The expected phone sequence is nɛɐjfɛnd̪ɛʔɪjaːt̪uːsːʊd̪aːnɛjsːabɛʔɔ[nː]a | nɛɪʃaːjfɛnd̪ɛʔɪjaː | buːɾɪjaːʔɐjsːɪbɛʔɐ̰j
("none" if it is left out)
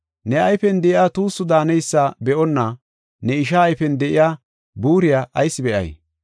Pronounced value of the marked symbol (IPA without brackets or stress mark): nː